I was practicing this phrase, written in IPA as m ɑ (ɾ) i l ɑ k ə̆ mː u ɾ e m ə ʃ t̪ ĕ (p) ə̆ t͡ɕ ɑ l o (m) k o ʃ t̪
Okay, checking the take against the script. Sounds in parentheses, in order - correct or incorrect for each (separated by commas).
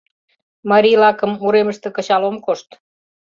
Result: correct, incorrect, correct